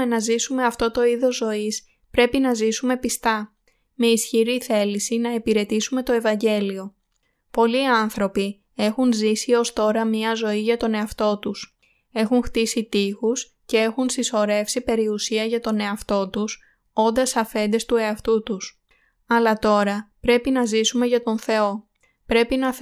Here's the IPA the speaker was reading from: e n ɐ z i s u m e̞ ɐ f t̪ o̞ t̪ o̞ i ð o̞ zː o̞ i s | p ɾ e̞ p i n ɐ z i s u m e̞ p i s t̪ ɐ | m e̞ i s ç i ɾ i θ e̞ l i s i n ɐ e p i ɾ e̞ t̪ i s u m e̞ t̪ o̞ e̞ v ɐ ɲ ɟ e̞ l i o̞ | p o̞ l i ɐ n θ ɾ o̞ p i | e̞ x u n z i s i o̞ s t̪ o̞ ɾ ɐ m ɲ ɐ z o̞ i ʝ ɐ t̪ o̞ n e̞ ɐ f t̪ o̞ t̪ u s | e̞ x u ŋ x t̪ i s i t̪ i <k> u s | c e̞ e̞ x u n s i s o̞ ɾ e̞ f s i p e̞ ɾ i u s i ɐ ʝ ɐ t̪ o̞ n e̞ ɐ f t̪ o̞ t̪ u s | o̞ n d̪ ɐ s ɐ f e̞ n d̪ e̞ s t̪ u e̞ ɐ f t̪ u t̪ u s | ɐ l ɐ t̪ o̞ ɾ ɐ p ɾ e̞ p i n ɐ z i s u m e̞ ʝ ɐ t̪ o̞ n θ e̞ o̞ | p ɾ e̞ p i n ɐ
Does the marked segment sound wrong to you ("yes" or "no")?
yes